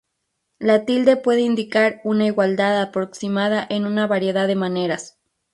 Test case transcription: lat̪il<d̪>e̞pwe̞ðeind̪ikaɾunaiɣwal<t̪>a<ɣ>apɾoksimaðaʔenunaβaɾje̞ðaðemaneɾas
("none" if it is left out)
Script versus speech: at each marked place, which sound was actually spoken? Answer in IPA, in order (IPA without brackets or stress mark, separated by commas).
d̪, d̪, ð